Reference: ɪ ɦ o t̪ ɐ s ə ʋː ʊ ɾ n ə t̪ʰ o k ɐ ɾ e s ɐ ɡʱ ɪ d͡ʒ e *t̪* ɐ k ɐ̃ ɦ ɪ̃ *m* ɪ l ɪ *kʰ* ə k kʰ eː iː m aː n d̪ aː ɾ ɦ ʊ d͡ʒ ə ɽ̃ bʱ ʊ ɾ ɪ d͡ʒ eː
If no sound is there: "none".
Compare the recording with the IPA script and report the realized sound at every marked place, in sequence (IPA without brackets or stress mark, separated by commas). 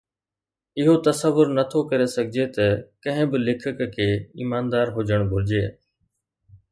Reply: t̪, b, kʰ